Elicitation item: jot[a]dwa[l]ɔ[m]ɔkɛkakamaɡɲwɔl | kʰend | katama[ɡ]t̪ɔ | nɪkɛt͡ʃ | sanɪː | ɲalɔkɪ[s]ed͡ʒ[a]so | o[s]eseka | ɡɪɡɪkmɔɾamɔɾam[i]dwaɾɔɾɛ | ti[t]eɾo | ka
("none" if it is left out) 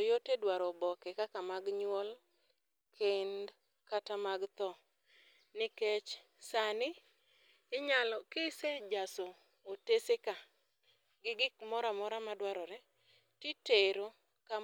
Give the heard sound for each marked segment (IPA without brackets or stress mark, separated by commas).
e, ɾ, b, ɡ, s, a, t, a, t